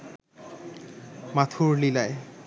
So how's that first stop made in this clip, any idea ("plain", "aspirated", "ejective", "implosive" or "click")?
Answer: aspirated